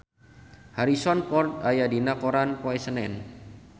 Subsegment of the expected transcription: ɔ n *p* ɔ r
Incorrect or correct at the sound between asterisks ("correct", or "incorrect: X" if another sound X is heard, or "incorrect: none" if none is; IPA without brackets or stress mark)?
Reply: correct